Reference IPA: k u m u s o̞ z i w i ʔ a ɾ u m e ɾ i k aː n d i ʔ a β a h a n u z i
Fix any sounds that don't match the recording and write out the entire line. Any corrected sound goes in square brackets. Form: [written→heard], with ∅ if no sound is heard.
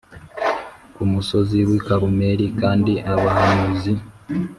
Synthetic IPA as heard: k u m u s o̞ z i w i [ʔ→k] a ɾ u m e ɾ i k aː n d i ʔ a β a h a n u z i